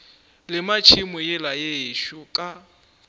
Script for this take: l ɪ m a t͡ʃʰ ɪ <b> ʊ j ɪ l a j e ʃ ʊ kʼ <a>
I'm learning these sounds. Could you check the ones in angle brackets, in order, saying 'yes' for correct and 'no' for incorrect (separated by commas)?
no, yes